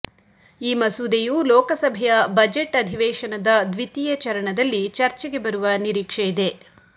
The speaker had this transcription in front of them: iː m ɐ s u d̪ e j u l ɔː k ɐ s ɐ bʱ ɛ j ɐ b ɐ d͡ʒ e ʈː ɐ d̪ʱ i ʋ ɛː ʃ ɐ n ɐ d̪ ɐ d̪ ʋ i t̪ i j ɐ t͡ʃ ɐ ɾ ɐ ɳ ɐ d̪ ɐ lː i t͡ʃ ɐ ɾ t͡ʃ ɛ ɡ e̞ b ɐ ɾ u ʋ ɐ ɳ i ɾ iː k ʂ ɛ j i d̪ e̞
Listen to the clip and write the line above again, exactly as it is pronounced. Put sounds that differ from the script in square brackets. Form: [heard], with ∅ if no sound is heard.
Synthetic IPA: iː m ɐ s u d̪ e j u l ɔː k ɐ s ɐ bʱ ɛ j ɐ b ɐ d͡ʒ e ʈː ɐ d̪ʱ i ʋ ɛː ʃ ɐ n ɐ d̪ ɐ d̪ ʋ i t̪ i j ɐ t͡ʃ ɐ ɾ ɐ ɳ ɐ d̪ ɐ lː i t͡ʃ ɐ ɾ t͡ʃ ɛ ɡ e̞ b ɐ ɾ u ʋ ɐ [n] i ɾ iː k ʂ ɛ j i d̪ e̞